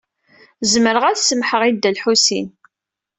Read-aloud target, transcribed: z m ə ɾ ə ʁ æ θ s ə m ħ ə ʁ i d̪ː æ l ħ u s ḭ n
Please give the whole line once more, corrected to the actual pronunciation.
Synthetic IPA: z m ə ɾ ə ʁ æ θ s ə m ħ ə ʁ i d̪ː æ l ħ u s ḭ n